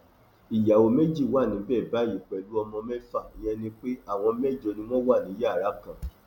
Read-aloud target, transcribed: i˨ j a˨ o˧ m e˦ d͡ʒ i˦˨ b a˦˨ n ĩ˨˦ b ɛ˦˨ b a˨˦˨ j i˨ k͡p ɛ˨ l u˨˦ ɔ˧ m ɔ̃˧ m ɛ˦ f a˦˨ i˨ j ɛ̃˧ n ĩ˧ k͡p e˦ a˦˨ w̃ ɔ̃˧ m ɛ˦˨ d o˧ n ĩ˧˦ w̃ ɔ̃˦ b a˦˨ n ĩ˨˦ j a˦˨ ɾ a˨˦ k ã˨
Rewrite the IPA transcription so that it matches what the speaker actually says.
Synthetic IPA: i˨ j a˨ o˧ m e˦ d͡ʒ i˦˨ w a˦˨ n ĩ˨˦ b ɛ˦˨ b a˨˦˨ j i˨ k͡p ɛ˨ l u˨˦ ɔ˧ m ɔ̃˧ m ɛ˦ f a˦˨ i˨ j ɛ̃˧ n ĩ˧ k͡p e˦ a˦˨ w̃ ɔ̃˧ m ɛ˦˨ d͡ʒ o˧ n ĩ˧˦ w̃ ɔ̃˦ w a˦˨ n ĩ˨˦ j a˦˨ ɾ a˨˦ k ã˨